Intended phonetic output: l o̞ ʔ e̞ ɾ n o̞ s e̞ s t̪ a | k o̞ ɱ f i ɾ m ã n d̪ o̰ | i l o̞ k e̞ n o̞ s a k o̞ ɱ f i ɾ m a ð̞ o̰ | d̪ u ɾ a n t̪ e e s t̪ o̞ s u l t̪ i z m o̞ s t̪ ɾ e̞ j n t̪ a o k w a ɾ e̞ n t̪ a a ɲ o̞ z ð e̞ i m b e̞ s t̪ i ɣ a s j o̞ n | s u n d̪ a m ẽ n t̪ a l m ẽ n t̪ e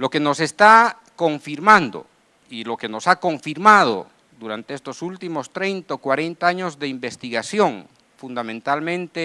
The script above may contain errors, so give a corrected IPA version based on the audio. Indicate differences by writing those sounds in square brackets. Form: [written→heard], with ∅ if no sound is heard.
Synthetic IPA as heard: l o̞ [ʔ→k] e̞ [ɾ→∅] n o̞ s e̞ s t̪ a | k o̞ ɱ f i ɾ m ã n d̪ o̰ | i l o̞ k e̞ n o̞ s a k o̞ ɱ f i ɾ m a ð̞ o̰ | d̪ u ɾ a n t̪ e e s t̪ o̞ s u l t̪ i [z→∅] m o̞ s t̪ ɾ e̞ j n t̪ a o k w a ɾ e̞ n t̪ a a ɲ o̞ z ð e̞ i m b e̞ s t̪ i ɣ a s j o̞ [n→ŋ] | [s→f] u n d̪ a m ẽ n t̪ a l m ẽ n t̪ e